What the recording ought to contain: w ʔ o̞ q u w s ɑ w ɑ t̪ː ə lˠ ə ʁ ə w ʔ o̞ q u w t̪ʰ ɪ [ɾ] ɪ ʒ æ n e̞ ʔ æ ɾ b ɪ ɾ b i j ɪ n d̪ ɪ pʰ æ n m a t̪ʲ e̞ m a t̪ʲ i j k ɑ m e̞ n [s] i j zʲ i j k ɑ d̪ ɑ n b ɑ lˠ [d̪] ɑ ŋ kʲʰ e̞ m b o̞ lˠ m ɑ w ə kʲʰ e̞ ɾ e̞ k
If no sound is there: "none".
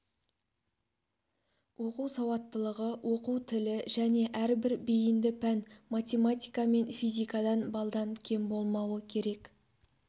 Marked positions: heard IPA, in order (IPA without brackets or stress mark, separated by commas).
l, f, d̪